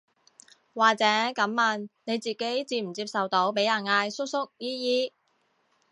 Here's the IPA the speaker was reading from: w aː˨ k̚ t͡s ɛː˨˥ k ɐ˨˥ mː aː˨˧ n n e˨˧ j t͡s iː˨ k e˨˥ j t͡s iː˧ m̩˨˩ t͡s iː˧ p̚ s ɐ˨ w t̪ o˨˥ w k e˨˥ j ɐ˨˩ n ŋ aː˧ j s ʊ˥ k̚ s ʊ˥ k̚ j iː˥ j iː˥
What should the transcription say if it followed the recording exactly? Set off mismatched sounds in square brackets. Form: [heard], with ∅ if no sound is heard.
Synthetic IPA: w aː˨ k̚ t͡s ɛː˨˥ k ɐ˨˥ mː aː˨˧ n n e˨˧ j t͡s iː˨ k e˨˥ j t͡s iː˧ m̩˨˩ t͡s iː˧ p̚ s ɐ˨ w t̪ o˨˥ w [p] e˨˥ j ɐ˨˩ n ŋ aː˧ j s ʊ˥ k̚ s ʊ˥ k̚ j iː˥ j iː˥